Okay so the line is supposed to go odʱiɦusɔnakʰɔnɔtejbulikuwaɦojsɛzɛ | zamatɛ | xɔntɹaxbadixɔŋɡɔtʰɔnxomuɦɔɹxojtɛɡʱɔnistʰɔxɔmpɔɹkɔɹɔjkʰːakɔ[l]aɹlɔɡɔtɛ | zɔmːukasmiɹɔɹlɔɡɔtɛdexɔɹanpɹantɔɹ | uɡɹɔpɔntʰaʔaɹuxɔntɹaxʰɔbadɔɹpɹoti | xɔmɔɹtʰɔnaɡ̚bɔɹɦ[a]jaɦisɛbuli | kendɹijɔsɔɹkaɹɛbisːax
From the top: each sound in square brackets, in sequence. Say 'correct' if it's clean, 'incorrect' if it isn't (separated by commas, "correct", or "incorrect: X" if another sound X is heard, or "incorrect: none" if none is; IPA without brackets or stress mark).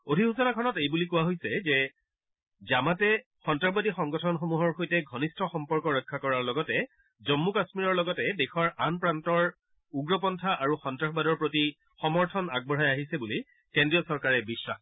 incorrect: ɹ, correct